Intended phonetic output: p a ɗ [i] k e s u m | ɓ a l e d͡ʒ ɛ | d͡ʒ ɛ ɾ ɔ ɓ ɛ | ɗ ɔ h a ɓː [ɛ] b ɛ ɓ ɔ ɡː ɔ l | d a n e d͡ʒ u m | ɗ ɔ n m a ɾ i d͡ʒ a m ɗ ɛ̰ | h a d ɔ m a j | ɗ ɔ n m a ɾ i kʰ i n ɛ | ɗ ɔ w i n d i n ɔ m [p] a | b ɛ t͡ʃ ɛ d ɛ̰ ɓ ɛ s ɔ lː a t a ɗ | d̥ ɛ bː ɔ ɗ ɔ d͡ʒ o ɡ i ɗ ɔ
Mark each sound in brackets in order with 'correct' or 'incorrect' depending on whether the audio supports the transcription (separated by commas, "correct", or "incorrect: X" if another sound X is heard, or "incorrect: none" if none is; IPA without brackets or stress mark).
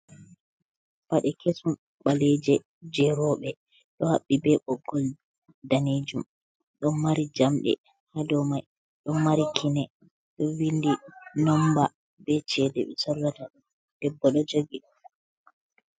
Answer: incorrect: ɛ, incorrect: i, incorrect: b